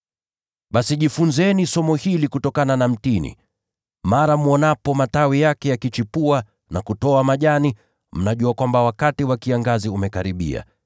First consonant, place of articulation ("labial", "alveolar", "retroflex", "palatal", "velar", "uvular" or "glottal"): labial